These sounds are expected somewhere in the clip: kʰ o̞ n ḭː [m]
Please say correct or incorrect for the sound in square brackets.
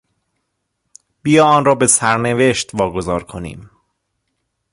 correct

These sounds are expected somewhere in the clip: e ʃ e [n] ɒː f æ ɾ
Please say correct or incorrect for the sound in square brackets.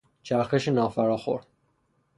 correct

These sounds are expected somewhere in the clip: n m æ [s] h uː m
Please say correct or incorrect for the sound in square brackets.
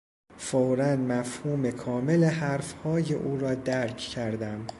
incorrect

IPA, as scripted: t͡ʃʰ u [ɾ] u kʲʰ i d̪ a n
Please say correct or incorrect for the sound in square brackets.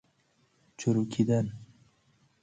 correct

